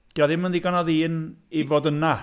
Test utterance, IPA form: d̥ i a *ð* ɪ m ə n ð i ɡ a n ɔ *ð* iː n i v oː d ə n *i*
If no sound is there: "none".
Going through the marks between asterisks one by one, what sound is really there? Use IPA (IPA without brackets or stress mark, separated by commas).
ð, ð, a